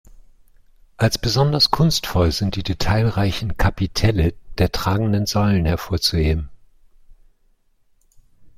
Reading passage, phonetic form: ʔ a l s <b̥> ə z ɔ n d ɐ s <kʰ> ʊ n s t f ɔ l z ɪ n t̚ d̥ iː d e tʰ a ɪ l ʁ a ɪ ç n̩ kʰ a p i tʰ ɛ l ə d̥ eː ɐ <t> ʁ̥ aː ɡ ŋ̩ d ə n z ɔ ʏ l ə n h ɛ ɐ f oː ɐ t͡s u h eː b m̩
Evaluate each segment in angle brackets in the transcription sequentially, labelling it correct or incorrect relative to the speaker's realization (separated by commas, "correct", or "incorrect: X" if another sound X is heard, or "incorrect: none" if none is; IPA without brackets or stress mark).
correct, correct, correct